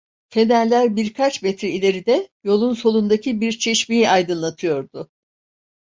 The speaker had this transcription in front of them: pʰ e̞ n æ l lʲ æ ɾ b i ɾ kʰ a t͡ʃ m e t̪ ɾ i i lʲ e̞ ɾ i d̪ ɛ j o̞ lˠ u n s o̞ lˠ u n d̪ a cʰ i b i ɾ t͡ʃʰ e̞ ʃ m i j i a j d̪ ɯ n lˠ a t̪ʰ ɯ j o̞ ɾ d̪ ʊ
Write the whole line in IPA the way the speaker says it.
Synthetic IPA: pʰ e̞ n æ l lʲ æ ɾ b i ɾ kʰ a t͡ʃ m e t̪ ɾ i i lʲ e̞ ɾ i d̪ ɛ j o̞ lˠ u n s o̞ lˠ u n d̪ a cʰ i b i ɾ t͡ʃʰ e̞ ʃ m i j i a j d̪ ɯ n lˠ a t̪ʰ ɯ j o̞ ɾ d̪ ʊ